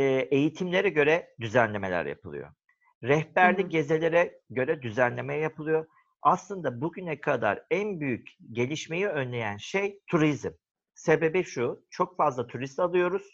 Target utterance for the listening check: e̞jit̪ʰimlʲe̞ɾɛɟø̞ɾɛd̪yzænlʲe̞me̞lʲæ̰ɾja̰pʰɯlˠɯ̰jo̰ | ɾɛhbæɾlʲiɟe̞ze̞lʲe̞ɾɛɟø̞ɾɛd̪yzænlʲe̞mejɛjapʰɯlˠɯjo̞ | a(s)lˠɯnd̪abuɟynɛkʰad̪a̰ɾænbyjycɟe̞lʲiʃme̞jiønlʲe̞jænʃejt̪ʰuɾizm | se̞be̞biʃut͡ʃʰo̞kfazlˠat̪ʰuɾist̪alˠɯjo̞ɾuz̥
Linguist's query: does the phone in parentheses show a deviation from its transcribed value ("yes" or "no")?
no